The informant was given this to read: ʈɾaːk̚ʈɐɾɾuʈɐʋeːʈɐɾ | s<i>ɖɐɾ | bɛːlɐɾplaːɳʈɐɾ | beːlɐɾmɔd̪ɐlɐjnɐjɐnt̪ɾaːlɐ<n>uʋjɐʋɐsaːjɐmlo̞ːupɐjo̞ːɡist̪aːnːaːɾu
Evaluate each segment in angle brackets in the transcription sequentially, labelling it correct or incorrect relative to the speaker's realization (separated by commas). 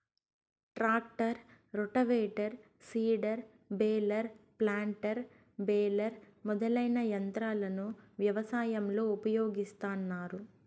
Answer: incorrect, correct